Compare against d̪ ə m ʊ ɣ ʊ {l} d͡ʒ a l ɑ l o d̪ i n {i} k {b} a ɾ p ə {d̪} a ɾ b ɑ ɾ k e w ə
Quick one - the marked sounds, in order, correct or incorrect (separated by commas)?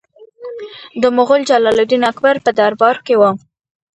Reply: correct, incorrect, correct, correct